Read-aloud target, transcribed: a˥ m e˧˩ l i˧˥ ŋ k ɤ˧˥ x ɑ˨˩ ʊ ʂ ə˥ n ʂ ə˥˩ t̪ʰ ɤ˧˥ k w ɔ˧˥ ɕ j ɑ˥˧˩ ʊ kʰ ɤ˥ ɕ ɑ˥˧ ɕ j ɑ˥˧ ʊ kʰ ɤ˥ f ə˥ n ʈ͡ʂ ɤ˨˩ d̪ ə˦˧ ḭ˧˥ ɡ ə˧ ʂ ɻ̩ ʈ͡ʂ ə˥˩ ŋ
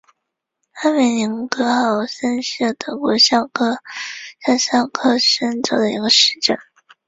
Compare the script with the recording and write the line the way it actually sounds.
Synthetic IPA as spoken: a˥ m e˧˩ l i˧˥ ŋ k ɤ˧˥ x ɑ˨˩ ʊ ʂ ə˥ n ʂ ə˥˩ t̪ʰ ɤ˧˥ k w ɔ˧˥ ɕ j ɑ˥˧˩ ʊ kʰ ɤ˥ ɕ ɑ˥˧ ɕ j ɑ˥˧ ʊ kʰ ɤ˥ ʂ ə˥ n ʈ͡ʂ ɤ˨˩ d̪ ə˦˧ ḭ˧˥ ɡ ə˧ ʂ ɻ̩ ʈ͡ʂ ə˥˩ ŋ